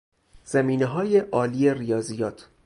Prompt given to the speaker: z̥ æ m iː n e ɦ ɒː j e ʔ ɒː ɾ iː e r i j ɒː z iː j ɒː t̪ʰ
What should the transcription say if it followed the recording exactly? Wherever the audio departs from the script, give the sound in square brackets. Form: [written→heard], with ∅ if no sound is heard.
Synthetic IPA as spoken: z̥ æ m iː n e ɦ ɒː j e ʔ ɒː [ɾ→l] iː e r i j ɒː z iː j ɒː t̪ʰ